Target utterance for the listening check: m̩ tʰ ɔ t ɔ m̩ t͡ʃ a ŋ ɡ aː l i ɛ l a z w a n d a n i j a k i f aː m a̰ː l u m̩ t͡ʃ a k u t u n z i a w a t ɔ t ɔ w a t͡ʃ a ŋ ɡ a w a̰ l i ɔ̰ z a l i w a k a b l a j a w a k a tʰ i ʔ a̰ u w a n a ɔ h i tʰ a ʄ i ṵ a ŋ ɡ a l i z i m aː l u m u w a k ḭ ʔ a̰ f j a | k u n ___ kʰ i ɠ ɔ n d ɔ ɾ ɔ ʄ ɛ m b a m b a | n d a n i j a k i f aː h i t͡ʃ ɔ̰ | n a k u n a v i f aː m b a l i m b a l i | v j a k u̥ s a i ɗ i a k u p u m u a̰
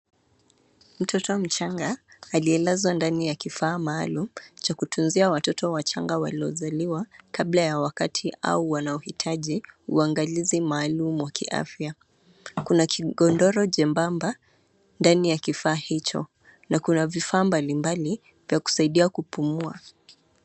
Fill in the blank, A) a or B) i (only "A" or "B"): A